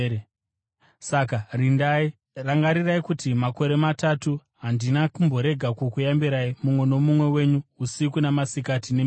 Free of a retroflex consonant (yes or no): yes